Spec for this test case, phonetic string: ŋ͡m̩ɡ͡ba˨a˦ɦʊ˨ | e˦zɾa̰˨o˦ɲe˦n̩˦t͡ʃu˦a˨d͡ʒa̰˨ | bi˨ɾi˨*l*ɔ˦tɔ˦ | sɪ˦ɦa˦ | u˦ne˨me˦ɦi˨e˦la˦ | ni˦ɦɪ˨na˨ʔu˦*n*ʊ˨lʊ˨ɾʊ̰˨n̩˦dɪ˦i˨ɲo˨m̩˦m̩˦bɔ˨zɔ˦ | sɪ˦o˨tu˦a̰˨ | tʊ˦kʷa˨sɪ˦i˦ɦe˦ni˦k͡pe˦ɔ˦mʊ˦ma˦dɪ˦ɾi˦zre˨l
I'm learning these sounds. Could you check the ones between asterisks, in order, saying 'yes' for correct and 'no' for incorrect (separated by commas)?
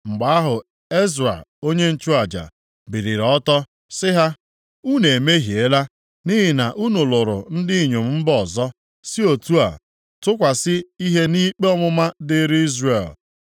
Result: no, yes